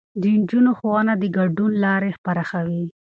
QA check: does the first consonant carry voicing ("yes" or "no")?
yes